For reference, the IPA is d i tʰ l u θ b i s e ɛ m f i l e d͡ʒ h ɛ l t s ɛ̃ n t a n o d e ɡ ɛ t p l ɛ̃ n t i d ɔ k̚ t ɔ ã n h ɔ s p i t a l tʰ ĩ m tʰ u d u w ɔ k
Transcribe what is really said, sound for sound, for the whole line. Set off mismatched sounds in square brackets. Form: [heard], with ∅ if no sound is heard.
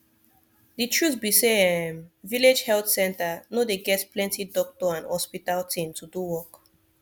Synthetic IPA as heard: d i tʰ [ɹ] u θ b i s e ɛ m [v] i l e d͡ʒ h ɛ l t s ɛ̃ n t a n o d e ɡ ɛ t p l ɛ̃ n t i d ɔ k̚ t ɔ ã n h ɔ s p i t a l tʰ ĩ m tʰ u d u w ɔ k